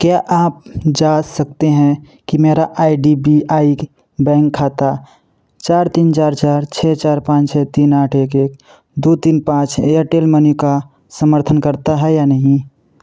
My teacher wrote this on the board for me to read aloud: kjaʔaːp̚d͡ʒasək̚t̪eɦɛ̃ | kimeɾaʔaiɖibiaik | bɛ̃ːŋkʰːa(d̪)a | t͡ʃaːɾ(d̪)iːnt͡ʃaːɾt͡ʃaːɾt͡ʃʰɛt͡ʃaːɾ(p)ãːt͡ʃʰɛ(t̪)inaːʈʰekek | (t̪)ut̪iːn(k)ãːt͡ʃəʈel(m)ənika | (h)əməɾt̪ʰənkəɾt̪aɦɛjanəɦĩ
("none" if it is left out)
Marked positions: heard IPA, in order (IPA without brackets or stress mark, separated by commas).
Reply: t̪, t̪, p, t̪, d̪, p, m, s